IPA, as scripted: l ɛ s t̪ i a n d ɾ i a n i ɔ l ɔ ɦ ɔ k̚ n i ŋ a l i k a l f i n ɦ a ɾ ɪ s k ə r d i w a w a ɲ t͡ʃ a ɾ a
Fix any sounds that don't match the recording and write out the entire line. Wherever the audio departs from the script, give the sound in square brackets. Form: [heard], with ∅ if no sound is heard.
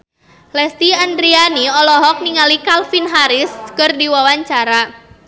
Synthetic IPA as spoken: l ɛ s t̪ i a n d ɾ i a n i ɔ l ɔ ɦ ɔ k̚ n i ŋ a l i k a l f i n ɦ a ɾ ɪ s k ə r d i w a w a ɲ t͡ʃ a ɾ a